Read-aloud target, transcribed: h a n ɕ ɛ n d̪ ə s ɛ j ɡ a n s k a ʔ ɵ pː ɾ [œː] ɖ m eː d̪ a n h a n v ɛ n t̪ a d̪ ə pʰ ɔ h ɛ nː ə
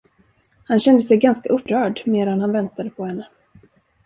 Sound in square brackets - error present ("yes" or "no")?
no